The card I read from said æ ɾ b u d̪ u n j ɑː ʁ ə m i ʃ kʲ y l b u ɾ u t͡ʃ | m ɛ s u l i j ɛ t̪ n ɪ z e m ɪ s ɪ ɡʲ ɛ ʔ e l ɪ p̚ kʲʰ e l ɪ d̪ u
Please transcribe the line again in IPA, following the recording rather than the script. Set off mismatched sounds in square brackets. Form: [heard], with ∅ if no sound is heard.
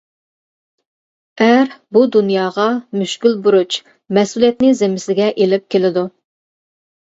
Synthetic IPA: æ ɾ b u d̪ u n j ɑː ʁ [ɑ] m [y] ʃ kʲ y l b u ɾ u t͡ʃ | m ɛ s u l i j ɛ t̪ n ɪ z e m ɪ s ɪ ɡʲ ɛ ʔ e l ɪ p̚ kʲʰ e l ɪ d̪ u

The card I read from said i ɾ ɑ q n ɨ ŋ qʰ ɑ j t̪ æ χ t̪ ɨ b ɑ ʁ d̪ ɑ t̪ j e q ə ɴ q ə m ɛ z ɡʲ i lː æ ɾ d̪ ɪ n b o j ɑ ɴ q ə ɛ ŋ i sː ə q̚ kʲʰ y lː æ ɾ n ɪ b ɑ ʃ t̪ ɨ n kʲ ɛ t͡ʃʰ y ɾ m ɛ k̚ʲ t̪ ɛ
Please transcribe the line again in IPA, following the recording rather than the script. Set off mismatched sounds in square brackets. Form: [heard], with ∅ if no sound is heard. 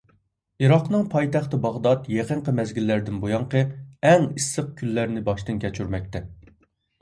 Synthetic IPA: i ɾ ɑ q n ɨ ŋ [pʰ] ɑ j t̪ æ χ t̪ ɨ b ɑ ʁ d̪ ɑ t̪ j e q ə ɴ q ə m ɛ z ɡʲ i lː æ ɾ d̪ ɪ n b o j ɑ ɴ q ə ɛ ŋ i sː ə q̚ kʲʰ y lː æ ɾ n ɪ b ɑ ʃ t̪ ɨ n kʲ ɛ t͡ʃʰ y ɾ m ɛ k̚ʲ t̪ ɛ

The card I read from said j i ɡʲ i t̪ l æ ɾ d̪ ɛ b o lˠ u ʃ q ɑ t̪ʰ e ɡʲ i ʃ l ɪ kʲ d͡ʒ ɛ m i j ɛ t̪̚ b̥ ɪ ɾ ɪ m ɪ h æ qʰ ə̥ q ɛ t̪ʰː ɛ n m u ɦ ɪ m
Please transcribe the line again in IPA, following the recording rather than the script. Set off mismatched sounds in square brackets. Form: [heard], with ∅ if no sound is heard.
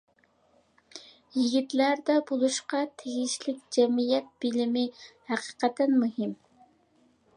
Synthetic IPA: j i ɡʲ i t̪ l æ ɾ d̪ ɛ b o lˠ u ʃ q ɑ t̪ʰ e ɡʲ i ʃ l ɪ kʲ d͡ʒ ɛ m i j ɛ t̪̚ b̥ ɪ [l] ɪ m ɪ h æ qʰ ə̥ q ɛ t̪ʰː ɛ n m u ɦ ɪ m

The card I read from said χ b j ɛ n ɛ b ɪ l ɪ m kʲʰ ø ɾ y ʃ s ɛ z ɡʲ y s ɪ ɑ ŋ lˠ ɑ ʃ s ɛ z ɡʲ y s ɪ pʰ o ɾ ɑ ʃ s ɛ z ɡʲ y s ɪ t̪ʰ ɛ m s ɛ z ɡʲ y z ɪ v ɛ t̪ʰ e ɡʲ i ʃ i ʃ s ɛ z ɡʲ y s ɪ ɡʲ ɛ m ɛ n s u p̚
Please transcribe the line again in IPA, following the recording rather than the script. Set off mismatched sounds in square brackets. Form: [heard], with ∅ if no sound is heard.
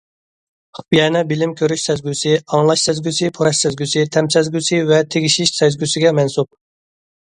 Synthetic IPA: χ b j ɛ n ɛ b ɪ l ɪ m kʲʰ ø ɾ y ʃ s ɛ z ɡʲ y s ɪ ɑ ŋ lˠ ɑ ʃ s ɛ z ɡʲ y s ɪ pʰ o ɾ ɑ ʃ s ɛ z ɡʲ y s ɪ t̪ʰ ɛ m s ɛ z ɡʲ y [s] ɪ v ɛ t̪ʰ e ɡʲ i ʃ i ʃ s ɛ z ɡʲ y s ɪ ɡʲ ɛ m ɛ n s u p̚

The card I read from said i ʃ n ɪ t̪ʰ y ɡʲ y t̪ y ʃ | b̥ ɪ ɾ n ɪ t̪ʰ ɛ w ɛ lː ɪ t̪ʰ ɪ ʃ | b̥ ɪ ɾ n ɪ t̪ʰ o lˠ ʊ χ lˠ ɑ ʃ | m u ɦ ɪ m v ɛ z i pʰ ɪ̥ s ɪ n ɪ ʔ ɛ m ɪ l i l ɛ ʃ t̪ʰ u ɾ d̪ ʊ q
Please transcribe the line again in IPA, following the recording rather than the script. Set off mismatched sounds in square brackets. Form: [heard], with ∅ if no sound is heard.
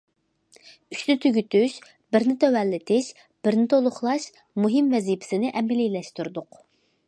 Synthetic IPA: [y] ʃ n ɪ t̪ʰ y ɡʲ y t̪ y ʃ | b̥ ɪ ɾ n ɪ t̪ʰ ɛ w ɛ lː ɪ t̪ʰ ɪ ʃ | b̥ ɪ ɾ n ɪ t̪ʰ o lˠ ʊ χ lˠ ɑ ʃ | m u ɦ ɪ m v ɛ z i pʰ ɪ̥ s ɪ n ɪ ʔ ɛ m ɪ l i l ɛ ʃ [t̪] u ɾ d̪ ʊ q

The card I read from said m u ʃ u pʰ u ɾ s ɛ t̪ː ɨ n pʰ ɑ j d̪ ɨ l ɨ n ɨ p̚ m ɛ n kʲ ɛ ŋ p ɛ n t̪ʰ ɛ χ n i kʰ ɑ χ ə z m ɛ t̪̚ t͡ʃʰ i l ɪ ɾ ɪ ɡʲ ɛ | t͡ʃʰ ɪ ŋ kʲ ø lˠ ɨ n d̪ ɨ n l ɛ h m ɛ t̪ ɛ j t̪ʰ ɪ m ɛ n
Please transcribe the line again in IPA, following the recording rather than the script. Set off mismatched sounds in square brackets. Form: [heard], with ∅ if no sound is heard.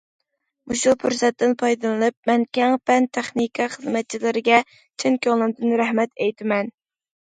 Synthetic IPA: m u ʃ u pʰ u ɾ s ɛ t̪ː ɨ n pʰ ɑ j d̪ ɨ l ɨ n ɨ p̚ m ɛ n kʲ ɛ ŋ p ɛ n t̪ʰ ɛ χ n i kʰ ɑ χ ə z m ɛ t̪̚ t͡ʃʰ i l ɪ ɾ ɪ ɡʲ ɛ | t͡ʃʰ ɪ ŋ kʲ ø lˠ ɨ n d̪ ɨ n [ɾ] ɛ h m ɛ t̪ ɛ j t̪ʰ ɪ m ɛ n

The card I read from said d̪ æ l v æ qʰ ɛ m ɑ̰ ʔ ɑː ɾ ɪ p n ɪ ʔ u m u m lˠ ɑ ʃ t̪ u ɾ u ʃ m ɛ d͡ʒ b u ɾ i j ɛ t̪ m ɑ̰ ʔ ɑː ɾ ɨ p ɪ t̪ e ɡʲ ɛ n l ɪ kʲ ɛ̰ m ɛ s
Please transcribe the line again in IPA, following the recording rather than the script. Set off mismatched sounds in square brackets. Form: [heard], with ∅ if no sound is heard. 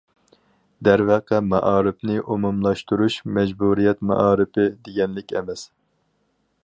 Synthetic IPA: d̪ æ [ɾ] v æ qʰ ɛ m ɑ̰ ʔ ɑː ɾ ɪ p n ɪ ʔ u m u m lˠ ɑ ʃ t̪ u ɾ u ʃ m ɛ d͡ʒ b u ɾ i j ɛ t̪ m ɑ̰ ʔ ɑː ɾ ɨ p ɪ [d̪] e ɡʲ ɛ n l ɪ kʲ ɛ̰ m ɛ s

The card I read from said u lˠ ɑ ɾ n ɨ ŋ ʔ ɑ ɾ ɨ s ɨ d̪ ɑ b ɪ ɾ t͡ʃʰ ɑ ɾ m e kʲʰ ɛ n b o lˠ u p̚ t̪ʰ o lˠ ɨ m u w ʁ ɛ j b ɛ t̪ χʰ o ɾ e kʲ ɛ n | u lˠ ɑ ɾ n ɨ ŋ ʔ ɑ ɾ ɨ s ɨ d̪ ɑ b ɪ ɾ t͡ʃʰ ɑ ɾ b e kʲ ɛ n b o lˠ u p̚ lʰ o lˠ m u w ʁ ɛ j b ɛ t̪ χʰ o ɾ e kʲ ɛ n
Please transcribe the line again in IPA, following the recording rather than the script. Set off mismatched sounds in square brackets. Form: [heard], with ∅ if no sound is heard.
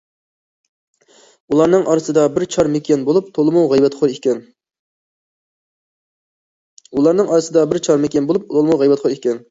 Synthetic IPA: u lˠ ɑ ɾ n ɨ ŋ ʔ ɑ ɾ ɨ s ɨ d̪ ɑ b ɪ ɾ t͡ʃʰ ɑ ɾ m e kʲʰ ɛ n b o lˠ u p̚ t̪ʰ o lˠ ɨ m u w ʁ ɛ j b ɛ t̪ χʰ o ɾ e kʲ ɛ n | u lˠ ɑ ɾ n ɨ ŋ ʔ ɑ ɾ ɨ s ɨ d̪ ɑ b ɪ ɾ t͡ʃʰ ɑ ɾ [m] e kʲ ɛ n b o lˠ u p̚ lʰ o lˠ m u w ʁ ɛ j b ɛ t̪ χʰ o ɾ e kʲ ɛ n

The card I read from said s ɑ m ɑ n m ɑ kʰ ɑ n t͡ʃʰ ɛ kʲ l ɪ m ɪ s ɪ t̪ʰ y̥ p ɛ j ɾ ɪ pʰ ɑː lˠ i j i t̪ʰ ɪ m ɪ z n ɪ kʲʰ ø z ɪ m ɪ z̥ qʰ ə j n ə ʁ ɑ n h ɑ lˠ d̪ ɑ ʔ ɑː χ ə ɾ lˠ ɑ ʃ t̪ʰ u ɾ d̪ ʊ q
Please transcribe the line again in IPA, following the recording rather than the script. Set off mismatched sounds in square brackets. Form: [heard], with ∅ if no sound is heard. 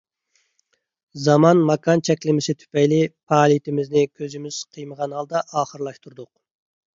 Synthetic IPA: [z] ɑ m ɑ n m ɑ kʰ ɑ n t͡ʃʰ ɛ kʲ l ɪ m ɪ s ɪ t̪ʰ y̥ p ɛ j [l] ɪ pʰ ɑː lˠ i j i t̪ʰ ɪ m ɪ z n ɪ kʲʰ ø z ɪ m ɪ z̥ qʰ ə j [m] ə ʁ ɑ n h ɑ lˠ d̪ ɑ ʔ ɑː χ ə ɾ lˠ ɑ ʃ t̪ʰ u ɾ d̪ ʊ q

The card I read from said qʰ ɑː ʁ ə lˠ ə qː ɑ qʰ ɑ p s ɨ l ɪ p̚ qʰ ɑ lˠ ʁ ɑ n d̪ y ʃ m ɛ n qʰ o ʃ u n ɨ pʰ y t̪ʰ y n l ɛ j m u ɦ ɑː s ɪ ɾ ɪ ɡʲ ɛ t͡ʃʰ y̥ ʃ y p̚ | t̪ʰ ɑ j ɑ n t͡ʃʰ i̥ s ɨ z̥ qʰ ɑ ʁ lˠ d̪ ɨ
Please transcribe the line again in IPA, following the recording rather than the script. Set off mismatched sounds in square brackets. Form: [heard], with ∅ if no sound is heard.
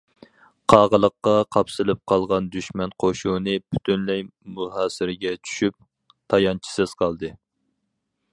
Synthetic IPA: qʰ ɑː ʁ ə lˠ ə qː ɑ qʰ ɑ p s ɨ l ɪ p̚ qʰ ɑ lˠ ʁ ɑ n d̪ y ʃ m ɛ n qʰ o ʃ u n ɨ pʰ y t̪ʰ y n l ɛ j m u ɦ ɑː s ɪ ɾ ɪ ɡʲ ɛ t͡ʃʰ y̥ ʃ y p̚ | t̪ʰ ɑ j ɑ n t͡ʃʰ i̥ s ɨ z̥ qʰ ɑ [∅] lˠ d̪ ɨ

